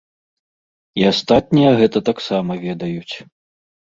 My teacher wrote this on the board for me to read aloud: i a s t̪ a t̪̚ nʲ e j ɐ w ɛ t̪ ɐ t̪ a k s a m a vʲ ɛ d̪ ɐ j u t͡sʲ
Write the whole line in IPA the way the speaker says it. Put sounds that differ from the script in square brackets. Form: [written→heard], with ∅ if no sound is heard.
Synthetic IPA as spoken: i a s t̪ a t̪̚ nʲ [e→i] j ɐ [w→ɣ] ɛ t̪ ɐ t̪ a k s a m [a→ɐ] vʲ ɛ d̪ ɐ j u t͡sʲ